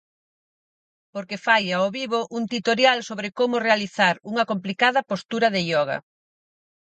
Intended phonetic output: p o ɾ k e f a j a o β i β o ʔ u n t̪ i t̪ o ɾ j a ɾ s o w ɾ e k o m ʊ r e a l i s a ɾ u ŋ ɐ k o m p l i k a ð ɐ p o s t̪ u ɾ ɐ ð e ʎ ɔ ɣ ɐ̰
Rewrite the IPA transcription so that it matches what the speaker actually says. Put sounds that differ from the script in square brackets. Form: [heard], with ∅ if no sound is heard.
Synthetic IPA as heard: p o ɾ k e f a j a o β i β o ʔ u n t̪ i t̪ o ɾ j a [l] s o [β] ɾ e k o m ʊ r e a l i [θ] a ɾ u ŋ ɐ k o m p l i k a ð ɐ p o s t̪ u ɾ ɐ ð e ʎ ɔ ɣ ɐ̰